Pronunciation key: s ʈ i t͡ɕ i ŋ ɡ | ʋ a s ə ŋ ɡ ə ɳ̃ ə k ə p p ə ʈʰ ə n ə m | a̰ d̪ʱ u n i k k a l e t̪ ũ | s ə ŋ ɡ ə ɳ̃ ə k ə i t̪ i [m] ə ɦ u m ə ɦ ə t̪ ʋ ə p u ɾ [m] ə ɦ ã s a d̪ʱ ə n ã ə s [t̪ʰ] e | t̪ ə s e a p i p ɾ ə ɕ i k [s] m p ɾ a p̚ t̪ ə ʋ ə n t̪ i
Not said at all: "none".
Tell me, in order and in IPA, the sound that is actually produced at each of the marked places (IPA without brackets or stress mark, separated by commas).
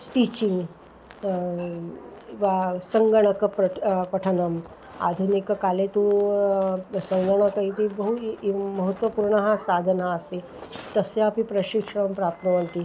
b, ɳ, t̪, ʂ